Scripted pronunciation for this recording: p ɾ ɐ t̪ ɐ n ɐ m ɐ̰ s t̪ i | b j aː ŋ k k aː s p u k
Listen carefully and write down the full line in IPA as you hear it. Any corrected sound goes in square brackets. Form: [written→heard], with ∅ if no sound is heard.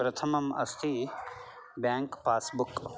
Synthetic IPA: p ɾ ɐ [t̪→t̪ʰ] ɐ [n→m] ɐ m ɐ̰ s [t̪→t̪ʰ] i | b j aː ŋ k [k→p] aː s [p→b] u k